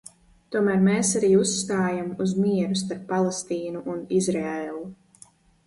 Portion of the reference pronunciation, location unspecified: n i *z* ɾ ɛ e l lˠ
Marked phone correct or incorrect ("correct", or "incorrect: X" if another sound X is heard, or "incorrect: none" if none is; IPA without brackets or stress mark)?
correct